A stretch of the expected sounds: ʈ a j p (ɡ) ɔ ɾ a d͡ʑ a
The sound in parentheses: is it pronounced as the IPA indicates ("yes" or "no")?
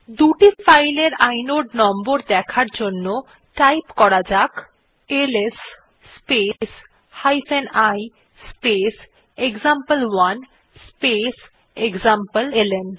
no